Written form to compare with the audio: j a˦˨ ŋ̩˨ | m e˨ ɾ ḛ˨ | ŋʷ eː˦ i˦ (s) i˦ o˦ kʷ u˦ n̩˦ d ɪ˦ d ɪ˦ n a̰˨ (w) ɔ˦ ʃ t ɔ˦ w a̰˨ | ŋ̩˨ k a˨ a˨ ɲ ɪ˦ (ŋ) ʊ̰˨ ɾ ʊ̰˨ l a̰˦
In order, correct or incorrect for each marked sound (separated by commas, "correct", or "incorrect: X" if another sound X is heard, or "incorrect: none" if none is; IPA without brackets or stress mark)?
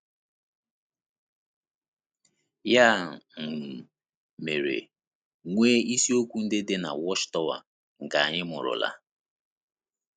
correct, correct, incorrect: m